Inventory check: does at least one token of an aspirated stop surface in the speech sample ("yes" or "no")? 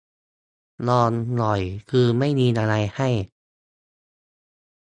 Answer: yes